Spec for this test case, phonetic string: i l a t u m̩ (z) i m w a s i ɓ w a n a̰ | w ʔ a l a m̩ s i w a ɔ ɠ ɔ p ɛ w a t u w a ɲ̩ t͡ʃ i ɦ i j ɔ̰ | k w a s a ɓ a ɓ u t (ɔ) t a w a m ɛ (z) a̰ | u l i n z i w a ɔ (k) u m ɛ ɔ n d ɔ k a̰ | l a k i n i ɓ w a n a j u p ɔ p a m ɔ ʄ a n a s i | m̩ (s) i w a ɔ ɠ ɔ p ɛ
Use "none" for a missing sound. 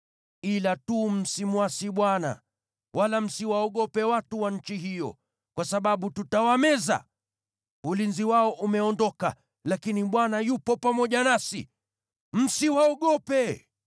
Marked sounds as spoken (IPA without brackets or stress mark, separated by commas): s, u, z, ʔ, s